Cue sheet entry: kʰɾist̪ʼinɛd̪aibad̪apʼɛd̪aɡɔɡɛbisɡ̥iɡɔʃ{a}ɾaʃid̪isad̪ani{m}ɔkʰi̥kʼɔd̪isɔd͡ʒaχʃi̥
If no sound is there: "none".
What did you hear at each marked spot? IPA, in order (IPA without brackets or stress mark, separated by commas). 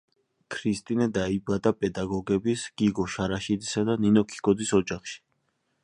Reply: a, n